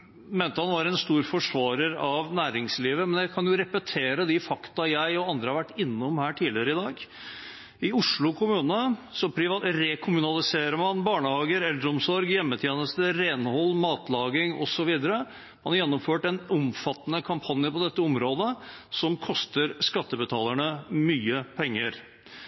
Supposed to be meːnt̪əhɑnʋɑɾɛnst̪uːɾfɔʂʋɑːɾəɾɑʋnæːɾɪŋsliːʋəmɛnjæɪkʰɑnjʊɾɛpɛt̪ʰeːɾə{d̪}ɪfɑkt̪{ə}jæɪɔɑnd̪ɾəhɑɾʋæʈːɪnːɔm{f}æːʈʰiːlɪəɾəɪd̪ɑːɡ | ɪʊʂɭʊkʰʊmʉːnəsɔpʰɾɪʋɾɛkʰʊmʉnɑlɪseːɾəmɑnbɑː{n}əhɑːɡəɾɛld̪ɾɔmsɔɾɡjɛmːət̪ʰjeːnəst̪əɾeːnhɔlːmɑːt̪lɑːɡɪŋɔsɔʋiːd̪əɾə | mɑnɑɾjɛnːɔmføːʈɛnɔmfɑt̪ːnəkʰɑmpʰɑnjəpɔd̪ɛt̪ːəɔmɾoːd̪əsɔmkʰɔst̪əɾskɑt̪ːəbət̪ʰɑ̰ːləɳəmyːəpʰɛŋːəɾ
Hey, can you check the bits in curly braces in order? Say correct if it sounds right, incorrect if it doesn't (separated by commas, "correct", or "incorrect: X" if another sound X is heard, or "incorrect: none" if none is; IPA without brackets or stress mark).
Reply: correct, incorrect: ɑ, incorrect: h, incorrect: ɳ